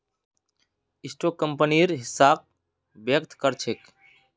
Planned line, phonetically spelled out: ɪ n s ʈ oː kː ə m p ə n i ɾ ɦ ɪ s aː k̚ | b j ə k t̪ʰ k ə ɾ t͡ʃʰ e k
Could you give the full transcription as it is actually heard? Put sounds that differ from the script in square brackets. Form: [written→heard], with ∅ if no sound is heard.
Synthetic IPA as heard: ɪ [n→∅] s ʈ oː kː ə m p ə n i ɾ ɦ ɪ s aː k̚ | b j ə k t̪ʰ k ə ɾ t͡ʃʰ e k